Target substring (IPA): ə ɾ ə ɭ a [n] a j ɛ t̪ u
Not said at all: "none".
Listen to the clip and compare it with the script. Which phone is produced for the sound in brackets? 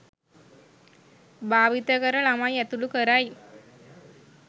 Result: m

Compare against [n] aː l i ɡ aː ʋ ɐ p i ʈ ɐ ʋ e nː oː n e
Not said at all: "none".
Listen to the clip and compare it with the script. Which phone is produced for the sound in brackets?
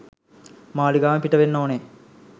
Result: m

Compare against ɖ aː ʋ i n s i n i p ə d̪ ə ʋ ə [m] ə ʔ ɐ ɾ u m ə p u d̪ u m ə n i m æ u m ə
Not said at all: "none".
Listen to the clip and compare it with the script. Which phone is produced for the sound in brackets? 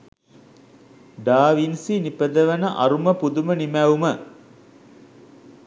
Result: n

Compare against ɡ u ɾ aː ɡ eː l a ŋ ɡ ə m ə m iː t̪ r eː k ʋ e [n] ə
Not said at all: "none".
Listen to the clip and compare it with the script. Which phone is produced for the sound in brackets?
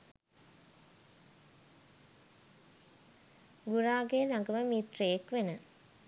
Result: n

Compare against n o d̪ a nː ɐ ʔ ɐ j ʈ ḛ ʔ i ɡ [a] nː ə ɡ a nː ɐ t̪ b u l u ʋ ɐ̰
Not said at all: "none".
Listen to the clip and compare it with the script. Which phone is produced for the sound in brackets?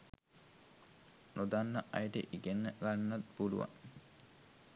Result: e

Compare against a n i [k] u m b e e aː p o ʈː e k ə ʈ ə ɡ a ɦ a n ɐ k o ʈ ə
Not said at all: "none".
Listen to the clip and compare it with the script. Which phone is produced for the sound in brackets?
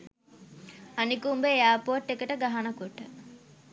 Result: k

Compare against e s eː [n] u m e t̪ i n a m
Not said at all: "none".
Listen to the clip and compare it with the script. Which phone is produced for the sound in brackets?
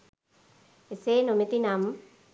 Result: n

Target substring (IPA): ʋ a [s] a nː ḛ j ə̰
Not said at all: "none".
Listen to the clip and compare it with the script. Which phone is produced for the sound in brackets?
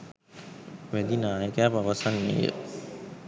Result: s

